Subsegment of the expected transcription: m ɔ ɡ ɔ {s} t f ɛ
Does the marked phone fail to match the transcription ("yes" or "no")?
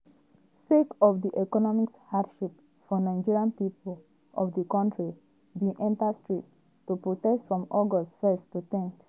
no